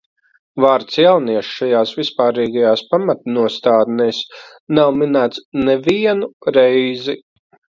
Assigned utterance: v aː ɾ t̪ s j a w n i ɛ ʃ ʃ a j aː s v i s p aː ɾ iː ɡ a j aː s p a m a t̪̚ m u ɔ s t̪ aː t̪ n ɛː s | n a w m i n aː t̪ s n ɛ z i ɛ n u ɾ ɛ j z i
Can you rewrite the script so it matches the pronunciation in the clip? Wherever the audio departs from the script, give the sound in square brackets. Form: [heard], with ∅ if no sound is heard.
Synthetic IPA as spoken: v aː ɾ t̪ s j a w n i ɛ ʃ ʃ a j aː s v i s p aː ɾ iː ɡ a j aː s p a m a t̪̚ [n] u ɔ s t̪ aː [d̪] n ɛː s | n a w m i n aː t̪ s n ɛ [v] i ɛ n u ɾ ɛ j z i